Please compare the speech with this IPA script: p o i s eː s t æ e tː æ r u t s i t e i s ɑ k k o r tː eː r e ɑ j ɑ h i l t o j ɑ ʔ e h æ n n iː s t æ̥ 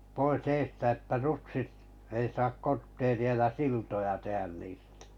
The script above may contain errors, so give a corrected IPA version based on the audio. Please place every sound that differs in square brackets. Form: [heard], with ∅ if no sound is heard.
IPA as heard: p o i s eː s t æ e tː æ r u t s i t e i s ɑ k k o r tː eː r [i] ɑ j ɑ [s] i l t o j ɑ [t] e h æ n n iː s t æ̥